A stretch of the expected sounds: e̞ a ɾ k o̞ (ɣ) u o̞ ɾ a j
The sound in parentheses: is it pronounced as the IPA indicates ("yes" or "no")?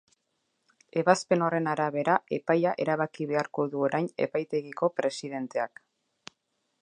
no